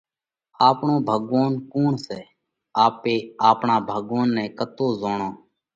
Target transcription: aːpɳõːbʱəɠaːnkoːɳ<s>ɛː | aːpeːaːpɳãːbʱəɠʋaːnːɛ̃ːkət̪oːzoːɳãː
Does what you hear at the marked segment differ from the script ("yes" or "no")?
no